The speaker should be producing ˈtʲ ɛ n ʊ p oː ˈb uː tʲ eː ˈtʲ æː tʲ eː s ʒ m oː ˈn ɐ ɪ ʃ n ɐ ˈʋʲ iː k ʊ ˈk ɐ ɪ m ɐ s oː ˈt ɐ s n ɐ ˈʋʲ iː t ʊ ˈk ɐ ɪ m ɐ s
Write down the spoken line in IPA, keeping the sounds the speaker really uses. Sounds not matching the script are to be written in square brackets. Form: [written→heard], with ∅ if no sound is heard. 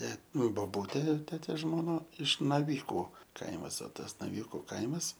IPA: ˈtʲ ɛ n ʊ [p→b] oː ˈb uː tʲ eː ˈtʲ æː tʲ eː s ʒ m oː ˈn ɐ ɪ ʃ n ɐ ˈʋʲ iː k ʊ ˈk ɐ ɪ m ɐ s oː ˈt ɐ s n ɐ ˈʋʲ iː [t→k] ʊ ˈk ɐ ɪ m ɐ s